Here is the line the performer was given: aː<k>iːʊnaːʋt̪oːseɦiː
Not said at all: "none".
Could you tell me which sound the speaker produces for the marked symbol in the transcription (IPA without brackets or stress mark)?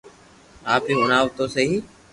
p